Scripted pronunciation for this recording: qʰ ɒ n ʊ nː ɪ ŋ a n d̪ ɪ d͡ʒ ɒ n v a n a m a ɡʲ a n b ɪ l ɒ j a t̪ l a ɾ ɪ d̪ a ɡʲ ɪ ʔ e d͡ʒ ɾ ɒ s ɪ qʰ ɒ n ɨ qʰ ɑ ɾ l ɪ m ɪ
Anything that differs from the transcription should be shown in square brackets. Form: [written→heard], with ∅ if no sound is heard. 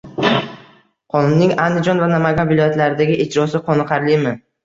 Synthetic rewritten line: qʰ ɒ n ʊ nː ɪ ŋ a n d̪ ɪ d͡ʒ ɒ n v a n a m a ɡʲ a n [b→v] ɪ l ɒ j a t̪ l a ɾ ɪ d̪ a ɡʲ ɪ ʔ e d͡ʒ ɾ ɒ s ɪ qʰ ɒ n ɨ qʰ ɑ ɾ l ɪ m ɪ